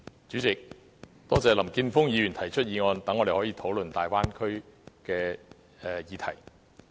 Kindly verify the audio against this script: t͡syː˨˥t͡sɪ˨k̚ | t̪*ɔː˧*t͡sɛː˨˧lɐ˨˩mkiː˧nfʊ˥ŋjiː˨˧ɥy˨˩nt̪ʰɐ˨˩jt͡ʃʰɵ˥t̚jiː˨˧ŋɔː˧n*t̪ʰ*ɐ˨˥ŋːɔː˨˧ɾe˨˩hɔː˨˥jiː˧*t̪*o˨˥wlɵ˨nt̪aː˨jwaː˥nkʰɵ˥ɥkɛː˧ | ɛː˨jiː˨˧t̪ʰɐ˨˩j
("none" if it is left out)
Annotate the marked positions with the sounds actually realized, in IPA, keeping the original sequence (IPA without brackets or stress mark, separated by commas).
ɔː˥, t̪, t̪ʰ